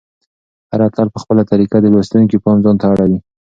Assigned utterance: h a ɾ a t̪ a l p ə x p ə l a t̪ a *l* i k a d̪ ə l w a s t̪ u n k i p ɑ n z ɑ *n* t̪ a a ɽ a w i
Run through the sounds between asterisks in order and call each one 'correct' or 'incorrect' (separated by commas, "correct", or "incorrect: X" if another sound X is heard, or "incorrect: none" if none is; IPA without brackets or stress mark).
incorrect: ɾ, correct